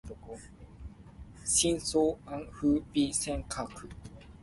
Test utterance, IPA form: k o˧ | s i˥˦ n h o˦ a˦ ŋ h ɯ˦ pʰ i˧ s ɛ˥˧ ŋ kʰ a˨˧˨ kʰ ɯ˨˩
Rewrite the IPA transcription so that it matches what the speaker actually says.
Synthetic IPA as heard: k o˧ | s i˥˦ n s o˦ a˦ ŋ h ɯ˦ p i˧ s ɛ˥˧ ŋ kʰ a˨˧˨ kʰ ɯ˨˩